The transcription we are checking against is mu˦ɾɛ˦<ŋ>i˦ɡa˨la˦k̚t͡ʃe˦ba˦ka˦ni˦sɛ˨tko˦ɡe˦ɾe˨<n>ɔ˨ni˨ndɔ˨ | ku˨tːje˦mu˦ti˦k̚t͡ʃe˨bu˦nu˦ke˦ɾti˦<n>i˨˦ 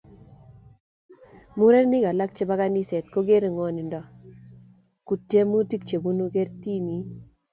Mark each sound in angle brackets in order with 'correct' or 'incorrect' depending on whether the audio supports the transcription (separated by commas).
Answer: incorrect, incorrect, correct